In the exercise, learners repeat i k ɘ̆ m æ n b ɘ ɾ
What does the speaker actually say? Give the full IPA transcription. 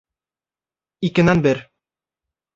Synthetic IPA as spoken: i k ɘ̆ n æ n b ɘ ɾ